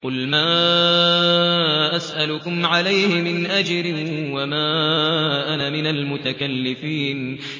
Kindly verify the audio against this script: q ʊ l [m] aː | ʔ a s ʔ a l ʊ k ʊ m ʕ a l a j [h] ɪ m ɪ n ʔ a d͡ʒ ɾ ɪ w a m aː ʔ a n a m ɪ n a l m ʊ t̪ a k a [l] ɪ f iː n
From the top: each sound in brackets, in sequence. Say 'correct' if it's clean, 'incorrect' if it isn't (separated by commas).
correct, correct, incorrect